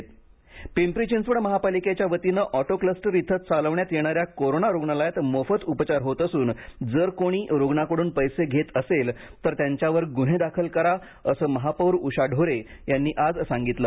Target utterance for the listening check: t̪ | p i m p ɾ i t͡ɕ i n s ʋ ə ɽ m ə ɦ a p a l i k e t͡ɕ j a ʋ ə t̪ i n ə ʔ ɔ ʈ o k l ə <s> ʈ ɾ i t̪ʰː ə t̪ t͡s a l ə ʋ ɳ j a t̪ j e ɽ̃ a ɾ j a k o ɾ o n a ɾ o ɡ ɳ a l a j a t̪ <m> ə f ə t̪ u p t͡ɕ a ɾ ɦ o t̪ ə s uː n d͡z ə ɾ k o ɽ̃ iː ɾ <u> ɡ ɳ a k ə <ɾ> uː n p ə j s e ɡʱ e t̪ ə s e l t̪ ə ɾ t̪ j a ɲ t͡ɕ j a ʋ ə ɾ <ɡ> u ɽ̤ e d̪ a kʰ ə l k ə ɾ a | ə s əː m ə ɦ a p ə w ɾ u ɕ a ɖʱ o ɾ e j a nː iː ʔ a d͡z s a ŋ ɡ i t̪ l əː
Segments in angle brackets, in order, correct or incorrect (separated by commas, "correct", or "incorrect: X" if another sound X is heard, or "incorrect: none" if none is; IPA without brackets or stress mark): correct, correct, incorrect: o, incorrect: ɽ, correct